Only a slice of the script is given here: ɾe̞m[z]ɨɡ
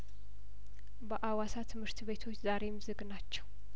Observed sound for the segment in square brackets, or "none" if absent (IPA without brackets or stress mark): z